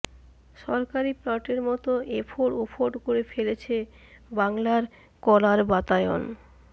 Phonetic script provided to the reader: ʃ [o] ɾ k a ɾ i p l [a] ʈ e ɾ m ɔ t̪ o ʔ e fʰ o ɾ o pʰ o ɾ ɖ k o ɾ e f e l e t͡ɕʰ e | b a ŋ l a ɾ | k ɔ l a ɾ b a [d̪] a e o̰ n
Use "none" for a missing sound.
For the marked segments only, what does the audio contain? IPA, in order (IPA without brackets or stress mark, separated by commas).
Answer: ɔ, a, t̪